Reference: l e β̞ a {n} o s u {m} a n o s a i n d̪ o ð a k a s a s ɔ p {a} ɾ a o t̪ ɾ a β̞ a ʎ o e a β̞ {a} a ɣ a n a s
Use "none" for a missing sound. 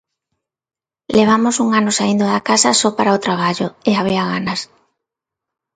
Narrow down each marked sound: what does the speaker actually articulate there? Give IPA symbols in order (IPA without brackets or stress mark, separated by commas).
m, ŋ, a, i